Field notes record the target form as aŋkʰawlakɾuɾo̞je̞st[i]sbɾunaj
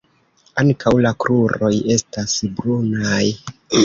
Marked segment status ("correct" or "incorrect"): incorrect